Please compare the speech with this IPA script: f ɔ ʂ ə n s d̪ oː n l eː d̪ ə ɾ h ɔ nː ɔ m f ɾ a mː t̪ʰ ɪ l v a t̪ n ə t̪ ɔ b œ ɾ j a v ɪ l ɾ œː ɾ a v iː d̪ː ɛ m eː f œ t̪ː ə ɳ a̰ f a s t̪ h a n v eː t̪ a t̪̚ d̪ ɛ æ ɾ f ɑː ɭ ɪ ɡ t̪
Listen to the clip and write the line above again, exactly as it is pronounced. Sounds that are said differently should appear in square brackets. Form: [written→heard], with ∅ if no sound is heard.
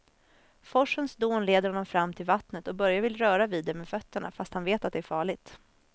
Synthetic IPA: f ɔ ʂ ə n s d̪ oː n l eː d̪ ə ɾ h ɔ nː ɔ m f ɾ a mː t̪ʰ ɪ l v a t̪ n ə t̪ ɔ b œ ɾ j a v ɪ l ɾ œː ɾ a v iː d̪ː ɛ m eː f œ t̪ː ə ɳ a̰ f a s t̪ h a n v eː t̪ a t̪̚ d̪ ɛ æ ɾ f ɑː ɭ ɪ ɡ t̪